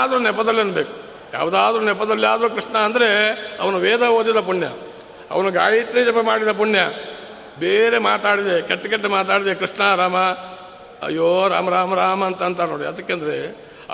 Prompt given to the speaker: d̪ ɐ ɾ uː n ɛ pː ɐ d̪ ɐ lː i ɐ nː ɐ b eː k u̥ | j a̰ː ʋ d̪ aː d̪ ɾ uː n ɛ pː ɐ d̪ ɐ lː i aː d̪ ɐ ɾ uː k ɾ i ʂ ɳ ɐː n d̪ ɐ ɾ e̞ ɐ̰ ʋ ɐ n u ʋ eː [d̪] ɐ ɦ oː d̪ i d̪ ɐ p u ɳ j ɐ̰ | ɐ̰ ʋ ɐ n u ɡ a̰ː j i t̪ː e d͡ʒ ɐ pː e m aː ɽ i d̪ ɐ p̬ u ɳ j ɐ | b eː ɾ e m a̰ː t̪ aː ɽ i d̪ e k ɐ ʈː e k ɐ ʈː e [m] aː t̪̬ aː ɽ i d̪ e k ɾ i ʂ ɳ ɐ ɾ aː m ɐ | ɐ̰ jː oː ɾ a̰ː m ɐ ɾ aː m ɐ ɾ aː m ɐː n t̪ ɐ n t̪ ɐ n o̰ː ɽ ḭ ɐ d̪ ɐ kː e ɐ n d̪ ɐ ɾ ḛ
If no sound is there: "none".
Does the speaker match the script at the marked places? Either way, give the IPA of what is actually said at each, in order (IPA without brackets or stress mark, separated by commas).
d̪, m